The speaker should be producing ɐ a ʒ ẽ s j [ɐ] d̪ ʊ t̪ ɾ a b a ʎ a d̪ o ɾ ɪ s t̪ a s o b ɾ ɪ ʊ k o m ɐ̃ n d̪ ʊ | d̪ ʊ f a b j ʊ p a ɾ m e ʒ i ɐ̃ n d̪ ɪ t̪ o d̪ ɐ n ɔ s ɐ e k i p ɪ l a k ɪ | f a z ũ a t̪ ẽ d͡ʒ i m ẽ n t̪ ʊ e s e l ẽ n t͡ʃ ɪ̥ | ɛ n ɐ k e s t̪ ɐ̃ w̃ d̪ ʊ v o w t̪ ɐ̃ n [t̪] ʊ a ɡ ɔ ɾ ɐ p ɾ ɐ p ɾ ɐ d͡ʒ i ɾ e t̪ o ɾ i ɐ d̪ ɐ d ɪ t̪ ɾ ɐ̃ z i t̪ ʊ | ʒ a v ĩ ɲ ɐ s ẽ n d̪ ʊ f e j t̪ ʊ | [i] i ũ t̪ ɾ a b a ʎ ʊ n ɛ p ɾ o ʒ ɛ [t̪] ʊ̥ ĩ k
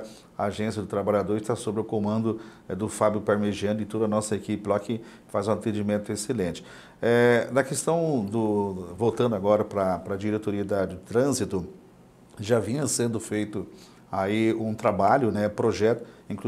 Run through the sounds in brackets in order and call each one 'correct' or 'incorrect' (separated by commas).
correct, incorrect, incorrect, correct